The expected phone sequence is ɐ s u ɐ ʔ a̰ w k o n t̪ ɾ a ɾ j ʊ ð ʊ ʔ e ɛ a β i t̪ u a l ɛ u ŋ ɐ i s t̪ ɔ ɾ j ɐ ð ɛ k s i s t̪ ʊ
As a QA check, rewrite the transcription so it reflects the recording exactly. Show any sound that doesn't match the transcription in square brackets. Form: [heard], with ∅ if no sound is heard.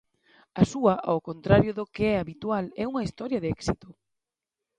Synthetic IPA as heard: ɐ s u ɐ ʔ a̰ w k o n t̪ ɾ a ɾ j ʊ ð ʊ [k] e ɛ a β i t̪ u a l ɛ u ŋ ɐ i s t̪ ɔ ɾ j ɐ ð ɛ k s i [∅] t̪ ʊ